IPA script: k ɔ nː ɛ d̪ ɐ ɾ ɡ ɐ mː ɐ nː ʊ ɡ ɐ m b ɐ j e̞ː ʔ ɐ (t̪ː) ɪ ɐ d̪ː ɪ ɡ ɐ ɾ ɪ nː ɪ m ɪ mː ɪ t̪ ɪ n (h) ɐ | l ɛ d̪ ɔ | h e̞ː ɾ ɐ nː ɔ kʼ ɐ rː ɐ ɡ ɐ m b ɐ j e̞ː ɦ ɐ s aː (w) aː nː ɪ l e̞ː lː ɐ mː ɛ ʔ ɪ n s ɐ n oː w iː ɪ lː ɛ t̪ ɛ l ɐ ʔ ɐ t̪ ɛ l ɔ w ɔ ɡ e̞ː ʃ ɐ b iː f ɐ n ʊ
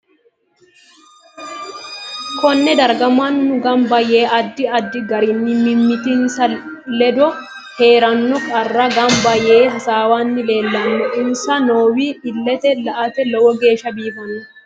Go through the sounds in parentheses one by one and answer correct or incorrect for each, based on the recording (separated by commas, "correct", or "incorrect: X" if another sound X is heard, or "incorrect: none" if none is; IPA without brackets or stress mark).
incorrect: d̪ː, incorrect: s, correct